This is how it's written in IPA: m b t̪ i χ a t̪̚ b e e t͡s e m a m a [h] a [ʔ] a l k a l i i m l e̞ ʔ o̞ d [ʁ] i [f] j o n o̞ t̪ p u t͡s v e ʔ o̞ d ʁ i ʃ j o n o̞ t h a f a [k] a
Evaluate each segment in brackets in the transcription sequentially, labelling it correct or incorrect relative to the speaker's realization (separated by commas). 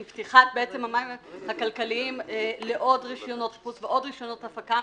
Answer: correct, incorrect, correct, incorrect, correct